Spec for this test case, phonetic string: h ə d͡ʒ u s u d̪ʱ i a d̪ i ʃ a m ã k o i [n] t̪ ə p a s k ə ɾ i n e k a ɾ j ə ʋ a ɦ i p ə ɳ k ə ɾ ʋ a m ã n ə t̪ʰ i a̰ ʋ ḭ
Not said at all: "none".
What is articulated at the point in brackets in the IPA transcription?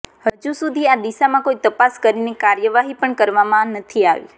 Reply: none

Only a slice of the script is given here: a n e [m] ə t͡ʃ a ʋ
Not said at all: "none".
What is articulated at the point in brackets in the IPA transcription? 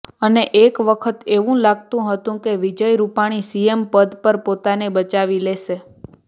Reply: b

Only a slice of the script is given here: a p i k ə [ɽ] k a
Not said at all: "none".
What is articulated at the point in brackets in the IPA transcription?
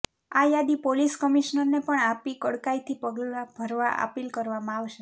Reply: ɽ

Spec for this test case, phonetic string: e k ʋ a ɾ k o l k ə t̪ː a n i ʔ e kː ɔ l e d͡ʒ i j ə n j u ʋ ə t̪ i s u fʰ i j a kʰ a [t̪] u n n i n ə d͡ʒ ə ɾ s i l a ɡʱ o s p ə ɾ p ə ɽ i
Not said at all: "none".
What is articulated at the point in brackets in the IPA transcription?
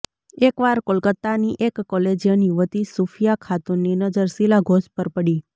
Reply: t̪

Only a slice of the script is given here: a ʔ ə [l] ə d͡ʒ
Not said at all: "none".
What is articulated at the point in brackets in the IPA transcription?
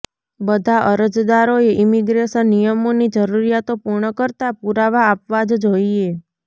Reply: ɾ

